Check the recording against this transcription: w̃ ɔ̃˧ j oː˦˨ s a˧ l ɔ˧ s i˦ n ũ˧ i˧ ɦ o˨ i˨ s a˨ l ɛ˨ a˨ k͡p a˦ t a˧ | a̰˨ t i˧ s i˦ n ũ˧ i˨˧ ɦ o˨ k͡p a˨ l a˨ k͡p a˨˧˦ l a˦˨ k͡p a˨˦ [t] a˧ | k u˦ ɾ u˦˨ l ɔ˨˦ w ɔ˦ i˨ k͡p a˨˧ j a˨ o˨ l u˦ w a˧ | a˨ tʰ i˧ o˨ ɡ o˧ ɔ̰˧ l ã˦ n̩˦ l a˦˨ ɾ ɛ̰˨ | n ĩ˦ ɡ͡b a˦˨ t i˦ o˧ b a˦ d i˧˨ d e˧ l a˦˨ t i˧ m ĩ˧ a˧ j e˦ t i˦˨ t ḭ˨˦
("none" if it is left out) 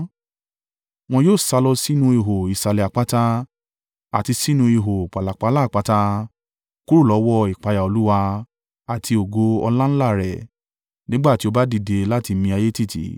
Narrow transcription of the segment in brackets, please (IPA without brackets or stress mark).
t